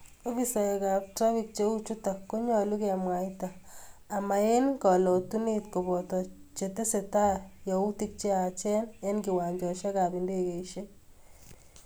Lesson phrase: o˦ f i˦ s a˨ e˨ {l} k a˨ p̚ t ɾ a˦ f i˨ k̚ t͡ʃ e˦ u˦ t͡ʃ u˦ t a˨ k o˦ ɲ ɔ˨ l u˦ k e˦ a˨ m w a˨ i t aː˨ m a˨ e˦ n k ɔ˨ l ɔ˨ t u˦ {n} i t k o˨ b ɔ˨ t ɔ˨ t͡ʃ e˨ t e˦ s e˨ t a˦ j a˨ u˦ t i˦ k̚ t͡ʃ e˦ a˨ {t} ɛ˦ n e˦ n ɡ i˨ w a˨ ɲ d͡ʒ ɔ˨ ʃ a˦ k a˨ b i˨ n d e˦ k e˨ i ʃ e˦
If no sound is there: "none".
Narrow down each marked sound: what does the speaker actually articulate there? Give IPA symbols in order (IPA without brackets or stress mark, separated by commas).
none, n, t͡ʃ